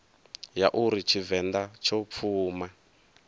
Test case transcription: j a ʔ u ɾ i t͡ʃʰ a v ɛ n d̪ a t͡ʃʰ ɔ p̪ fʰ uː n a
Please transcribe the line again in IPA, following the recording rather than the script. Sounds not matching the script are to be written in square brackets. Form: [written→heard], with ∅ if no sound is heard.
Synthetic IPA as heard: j a ʔ u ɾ i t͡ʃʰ [a→i] v ɛ n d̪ a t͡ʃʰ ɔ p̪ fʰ uː [n→m] a

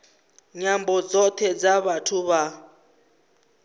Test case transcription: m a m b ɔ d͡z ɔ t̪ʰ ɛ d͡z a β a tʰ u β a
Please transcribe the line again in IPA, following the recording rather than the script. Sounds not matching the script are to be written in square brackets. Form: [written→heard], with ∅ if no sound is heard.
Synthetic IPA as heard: [m→ɲ] a m b ɔ d͡z ɔ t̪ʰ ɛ d͡z a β a tʰ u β a

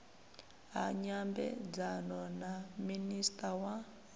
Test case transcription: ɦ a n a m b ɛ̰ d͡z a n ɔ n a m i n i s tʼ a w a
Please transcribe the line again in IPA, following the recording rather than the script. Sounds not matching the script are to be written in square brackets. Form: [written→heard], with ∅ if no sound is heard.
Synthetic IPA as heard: ɦ a [n→ɲ] a m b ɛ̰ d͡z a n ɔ n a m i n i s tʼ a w a

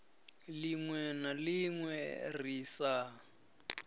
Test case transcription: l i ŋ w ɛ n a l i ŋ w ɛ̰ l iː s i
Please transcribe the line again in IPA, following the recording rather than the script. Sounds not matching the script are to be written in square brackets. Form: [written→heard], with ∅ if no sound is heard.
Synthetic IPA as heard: l i ŋ w ɛ n a l i ŋ w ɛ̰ [l→r] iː s [i→a]

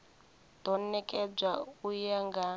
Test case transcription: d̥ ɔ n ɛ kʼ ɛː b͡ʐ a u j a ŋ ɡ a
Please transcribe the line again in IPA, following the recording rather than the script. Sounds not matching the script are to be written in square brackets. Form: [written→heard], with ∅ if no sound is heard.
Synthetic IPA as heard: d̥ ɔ n ɛ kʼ [ɛː→ɛ] b͡ʐ a u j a ŋ ɡ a

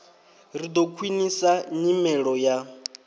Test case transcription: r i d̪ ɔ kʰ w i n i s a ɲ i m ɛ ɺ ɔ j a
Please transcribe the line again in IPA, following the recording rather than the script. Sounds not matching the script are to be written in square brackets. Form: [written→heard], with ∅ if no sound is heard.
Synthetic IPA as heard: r i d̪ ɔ kʰ w i n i s a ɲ i m ɛ ɺ ɔ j a

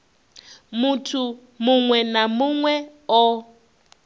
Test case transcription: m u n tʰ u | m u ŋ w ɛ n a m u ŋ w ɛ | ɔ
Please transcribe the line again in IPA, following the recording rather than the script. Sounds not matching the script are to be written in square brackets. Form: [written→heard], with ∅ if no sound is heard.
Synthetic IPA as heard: m u [n→∅] tʰ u | m u ŋ w ɛ n a m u ŋ w ɛ | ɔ

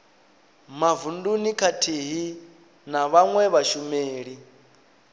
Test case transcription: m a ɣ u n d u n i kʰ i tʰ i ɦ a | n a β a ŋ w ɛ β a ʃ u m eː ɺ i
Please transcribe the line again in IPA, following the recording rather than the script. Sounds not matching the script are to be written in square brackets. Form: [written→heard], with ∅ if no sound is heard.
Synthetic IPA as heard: m a [ɣ→v] u n d u n i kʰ [i→a] tʰ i ɦ [a→i] | n a β a ŋ w ɛ β a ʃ u m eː ɺ i

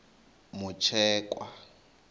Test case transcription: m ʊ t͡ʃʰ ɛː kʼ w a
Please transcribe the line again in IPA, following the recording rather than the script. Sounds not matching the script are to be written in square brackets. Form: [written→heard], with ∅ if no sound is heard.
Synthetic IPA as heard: m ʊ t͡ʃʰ ɛː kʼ w a

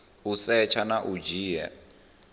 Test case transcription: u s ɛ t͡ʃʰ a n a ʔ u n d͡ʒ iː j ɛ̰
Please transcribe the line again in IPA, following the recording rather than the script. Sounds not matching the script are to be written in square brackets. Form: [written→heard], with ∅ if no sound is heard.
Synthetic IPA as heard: u s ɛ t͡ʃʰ a n a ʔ u [n→∅] d͡ʒ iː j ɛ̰

